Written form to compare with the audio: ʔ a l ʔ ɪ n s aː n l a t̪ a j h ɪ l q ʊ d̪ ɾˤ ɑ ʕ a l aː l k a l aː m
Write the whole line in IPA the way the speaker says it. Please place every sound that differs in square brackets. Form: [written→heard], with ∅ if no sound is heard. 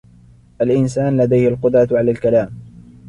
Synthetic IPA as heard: ʔ a l ʔ ɪ n s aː n l a [t̪→d̪] a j h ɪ l q ʊ d̪ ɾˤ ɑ ʕ a l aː l k a l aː m